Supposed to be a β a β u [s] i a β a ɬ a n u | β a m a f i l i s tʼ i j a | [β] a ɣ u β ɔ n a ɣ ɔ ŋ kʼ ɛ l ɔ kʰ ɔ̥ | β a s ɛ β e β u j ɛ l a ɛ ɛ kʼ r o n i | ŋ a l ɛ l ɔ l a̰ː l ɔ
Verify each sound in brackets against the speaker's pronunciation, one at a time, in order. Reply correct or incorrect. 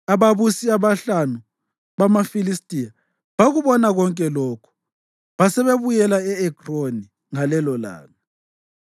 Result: correct, correct

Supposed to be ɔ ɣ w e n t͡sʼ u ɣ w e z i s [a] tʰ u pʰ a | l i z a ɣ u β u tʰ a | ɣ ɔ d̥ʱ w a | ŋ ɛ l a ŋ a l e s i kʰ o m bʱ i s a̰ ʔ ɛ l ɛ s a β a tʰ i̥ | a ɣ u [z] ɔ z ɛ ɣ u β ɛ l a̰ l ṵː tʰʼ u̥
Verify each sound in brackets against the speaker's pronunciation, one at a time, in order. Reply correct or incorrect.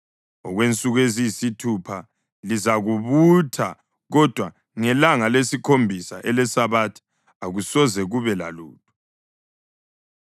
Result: incorrect, incorrect

